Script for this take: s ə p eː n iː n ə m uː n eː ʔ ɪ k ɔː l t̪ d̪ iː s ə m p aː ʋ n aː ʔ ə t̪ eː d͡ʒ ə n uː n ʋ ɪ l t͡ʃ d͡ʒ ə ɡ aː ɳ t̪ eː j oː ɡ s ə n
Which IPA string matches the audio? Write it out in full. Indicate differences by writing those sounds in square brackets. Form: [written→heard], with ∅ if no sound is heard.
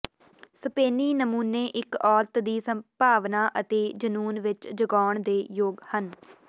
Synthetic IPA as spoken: s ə p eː n iː n ə m uː n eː ʔ ɪ k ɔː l t̪ d̪ iː s ə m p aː ʋ n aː ʔ ə t̪ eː d͡ʒ ə n uː n ʋ ɪ [l→∅] t͡ʃ d͡ʒ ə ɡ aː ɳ [t̪→d̪] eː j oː ɡ [s→h] ə n